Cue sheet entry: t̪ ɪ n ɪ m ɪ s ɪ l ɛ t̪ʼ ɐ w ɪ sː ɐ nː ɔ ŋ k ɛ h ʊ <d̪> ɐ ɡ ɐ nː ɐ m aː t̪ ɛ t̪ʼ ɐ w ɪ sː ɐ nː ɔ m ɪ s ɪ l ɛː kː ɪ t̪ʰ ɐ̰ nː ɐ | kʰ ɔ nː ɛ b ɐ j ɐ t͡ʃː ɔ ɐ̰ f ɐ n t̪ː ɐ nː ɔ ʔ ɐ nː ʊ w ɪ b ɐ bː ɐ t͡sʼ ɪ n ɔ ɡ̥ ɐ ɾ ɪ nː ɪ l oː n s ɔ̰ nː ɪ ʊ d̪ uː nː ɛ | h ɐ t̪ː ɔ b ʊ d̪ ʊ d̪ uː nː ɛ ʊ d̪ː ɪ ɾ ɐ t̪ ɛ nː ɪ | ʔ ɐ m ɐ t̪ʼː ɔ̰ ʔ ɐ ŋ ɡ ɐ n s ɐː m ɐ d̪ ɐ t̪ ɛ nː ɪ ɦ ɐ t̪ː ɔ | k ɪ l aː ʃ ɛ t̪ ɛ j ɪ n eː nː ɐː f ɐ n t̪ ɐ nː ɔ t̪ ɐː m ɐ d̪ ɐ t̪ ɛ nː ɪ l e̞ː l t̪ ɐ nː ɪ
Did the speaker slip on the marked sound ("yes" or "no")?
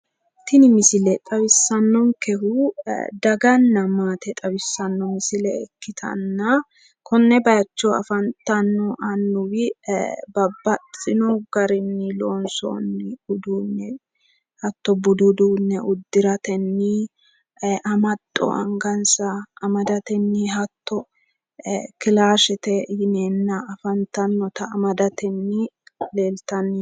no